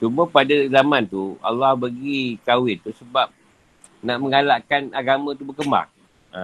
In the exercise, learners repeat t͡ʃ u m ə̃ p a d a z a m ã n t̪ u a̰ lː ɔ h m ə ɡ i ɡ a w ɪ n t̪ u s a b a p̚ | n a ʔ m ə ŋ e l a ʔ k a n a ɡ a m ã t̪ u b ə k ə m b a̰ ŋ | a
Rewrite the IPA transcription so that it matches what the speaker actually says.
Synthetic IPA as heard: t͡ʃ u m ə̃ p a d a z a m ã n t̪ u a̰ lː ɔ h b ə ɡ i k a w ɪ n t̪ u s ə b a p̚ | n a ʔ m ə ŋ a l a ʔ k a n a ɡ a m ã t̪ u b ə k ə m b a̰ ŋ | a